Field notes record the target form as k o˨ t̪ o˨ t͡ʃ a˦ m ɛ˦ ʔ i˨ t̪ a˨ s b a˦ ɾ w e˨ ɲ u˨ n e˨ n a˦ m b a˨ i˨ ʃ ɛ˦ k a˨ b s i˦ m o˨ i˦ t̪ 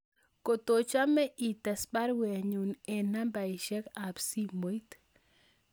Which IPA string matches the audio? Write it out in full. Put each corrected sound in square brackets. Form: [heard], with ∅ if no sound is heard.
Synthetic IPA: k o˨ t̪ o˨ t͡ʃ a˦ m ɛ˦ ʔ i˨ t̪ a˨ s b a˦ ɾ w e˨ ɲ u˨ n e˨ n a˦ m b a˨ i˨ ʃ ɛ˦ k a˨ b s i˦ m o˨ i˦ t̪